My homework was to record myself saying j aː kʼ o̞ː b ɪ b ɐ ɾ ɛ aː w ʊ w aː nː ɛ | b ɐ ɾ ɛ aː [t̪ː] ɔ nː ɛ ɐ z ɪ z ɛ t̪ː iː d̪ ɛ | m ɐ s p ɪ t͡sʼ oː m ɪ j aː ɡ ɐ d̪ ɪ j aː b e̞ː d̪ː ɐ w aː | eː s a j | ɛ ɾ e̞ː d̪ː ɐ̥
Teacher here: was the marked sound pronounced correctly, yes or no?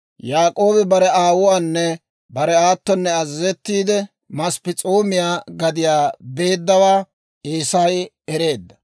yes